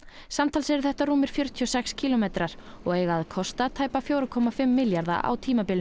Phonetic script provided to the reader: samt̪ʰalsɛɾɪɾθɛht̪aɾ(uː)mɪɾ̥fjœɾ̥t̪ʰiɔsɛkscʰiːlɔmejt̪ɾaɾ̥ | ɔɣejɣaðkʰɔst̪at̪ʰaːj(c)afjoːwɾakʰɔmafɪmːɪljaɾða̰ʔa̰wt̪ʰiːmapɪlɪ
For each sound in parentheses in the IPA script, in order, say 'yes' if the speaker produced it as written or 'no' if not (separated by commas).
yes, no